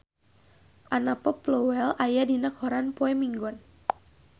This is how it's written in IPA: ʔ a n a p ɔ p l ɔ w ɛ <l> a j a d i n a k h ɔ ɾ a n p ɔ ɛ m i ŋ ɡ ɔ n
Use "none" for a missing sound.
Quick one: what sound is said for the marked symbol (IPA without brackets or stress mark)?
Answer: l